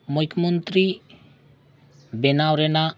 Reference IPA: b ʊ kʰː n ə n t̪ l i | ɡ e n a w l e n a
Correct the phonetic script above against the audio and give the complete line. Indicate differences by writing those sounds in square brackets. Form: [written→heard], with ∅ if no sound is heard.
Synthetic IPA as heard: [b→m] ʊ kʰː [n→m] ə n t̪ [l→ɾ] i | [ɡ→b] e n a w [l→ɾ] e n a